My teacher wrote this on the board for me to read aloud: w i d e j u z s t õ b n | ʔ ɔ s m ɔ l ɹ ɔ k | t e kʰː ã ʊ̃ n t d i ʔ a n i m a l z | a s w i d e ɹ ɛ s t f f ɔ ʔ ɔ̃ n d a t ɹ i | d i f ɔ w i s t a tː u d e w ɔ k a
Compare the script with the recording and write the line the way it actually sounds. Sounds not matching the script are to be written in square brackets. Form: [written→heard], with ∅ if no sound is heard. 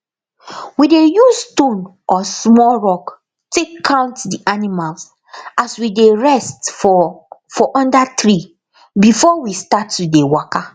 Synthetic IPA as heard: w i d e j u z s t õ [b→∅] n | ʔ ɔ s m ɔ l ɹ ɔ k | t e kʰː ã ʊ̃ n t d i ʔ a n i m a l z | a s w i d e ɹ ɛ s t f f ɔ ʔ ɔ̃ n d a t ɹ i | [d→b] i f ɔ w i s t a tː u d e w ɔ k a